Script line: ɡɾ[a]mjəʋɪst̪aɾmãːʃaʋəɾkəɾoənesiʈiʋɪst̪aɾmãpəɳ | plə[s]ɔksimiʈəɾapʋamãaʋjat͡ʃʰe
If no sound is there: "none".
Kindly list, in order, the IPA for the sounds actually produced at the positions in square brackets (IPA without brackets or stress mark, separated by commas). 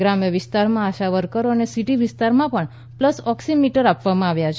a, s